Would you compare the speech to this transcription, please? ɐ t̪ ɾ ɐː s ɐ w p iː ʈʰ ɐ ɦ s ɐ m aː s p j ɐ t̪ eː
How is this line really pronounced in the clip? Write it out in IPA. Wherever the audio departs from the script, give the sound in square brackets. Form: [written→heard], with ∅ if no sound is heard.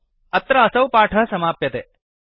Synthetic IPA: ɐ t̪ ɾ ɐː s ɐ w p [iː→aː] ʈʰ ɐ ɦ s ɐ m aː [s→∅] p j ɐ t̪ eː